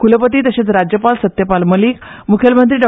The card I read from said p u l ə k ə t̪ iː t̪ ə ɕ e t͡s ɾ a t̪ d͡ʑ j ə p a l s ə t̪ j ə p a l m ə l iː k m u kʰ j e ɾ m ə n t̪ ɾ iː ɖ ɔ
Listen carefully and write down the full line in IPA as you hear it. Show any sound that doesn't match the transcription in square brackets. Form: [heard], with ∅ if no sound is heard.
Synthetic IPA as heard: [k] u l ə [p] ə t̪ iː t̪ ə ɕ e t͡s ɾ a [∅] d͡ʑ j ə p a l s ə t̪ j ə p a l m ə l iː k m u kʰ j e [l] m ə n t̪ ɾ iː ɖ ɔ